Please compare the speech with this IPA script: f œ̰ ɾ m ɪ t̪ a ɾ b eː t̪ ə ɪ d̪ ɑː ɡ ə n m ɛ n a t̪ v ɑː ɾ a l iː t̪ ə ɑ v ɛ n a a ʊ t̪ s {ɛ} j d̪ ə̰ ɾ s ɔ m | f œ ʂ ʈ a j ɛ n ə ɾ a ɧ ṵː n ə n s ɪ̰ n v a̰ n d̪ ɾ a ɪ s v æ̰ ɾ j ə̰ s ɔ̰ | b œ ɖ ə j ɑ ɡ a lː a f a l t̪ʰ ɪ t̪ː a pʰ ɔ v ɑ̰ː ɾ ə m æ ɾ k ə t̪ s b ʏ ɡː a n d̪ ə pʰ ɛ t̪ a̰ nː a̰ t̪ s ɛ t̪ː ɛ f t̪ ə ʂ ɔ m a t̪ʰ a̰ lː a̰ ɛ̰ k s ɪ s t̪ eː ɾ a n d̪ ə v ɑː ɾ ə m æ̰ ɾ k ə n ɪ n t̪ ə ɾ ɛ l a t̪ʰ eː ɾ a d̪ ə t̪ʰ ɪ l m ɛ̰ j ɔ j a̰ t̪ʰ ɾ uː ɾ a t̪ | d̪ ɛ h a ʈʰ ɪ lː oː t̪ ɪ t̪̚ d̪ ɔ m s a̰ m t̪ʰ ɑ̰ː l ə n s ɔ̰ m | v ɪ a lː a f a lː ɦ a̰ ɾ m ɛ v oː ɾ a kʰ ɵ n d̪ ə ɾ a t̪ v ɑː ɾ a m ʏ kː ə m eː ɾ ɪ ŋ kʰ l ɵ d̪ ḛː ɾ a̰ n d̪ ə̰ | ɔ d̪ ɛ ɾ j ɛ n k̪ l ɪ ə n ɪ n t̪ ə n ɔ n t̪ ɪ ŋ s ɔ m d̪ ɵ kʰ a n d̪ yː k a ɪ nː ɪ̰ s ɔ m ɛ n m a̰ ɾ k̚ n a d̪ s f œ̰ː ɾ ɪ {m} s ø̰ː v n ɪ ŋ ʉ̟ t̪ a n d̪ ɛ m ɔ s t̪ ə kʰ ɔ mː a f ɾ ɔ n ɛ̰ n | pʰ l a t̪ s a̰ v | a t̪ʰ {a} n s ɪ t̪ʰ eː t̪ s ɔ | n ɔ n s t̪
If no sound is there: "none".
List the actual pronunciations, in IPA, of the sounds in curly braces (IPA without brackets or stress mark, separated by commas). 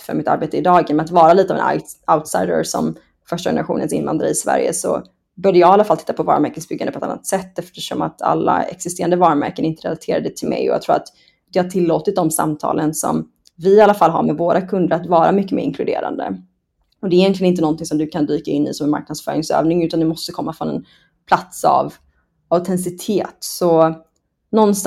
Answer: a, ŋ, ɛ